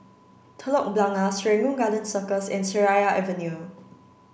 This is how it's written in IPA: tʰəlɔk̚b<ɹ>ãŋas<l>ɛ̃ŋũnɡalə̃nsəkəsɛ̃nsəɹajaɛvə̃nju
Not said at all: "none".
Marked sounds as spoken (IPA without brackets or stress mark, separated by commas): l, ɹ